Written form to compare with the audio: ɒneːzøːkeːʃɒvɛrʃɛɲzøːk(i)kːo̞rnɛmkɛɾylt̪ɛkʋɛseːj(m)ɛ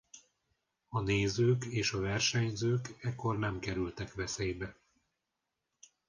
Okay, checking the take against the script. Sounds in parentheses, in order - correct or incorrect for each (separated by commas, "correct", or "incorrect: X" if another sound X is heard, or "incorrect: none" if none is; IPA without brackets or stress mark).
incorrect: ɛ, incorrect: b